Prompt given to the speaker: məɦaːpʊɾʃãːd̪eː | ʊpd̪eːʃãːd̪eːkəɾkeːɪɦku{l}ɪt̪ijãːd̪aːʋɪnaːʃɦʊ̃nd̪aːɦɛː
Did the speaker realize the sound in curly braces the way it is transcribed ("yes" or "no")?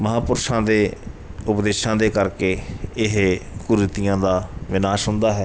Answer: no